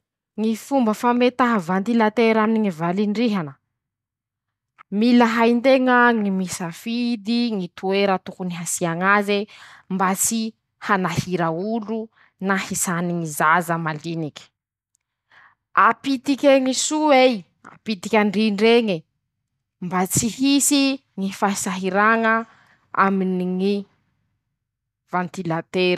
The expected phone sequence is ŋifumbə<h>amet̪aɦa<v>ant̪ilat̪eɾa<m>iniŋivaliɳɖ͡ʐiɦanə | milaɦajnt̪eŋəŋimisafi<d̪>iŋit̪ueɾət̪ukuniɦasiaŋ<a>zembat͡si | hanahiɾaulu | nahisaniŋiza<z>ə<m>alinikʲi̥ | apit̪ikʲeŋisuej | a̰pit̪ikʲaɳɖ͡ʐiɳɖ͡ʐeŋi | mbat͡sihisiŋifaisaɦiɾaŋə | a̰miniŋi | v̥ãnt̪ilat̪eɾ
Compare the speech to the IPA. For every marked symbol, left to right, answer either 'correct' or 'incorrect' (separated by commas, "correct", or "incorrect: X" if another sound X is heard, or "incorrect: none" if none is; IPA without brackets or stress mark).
incorrect: f, correct, correct, correct, correct, correct, correct